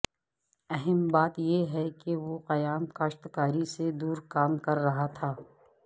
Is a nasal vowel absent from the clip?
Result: yes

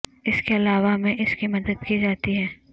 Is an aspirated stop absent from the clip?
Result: yes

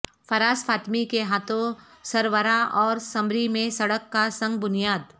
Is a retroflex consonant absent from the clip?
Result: no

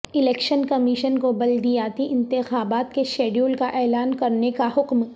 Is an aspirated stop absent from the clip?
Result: yes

